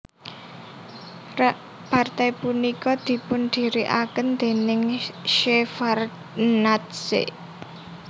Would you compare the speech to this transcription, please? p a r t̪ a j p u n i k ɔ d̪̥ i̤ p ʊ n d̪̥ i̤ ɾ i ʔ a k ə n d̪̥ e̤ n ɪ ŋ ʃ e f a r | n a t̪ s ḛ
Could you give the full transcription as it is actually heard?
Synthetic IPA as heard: p a r t̪ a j p u n i k ɔ d̪̥ i̤ p ʊ n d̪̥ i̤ ɾ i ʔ a k ə n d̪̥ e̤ n ɪ ŋ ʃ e f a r | n a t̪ s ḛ